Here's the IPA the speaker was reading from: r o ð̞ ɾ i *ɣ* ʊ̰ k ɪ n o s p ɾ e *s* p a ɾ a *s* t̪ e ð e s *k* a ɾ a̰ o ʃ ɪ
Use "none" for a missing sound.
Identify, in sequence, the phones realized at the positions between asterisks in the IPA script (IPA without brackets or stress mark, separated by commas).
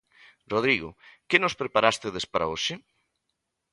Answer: ɣ, none, s, p